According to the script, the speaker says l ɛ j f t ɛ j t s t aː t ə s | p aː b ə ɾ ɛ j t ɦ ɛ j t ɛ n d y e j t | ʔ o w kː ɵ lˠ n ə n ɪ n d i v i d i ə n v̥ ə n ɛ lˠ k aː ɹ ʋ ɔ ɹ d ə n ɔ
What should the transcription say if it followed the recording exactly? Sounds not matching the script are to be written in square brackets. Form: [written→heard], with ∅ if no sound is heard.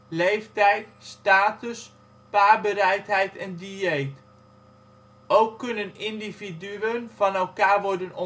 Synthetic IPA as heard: l [ɛ→e] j f t ɛ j t s t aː t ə s | p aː b ə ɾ ɛ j t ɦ ɛ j t ɛ n d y e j t | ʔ o w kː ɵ [lˠ→∅] n ə n ɪ n d i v i d [i→y] ə n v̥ [ə→ɑ] n ɛ lˠ k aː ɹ ʋ ɔ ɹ d ə n ɔ